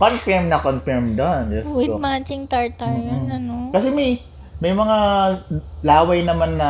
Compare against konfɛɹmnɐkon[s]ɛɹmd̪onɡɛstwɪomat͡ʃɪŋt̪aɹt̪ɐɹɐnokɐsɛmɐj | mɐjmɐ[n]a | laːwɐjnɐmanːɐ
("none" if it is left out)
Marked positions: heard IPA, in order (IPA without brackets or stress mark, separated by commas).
f, ŋ